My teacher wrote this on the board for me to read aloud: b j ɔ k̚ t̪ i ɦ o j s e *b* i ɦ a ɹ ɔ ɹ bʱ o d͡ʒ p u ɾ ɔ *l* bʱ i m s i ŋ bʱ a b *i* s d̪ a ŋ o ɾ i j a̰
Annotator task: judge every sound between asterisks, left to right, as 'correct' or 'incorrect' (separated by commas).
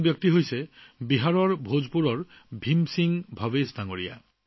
correct, incorrect, incorrect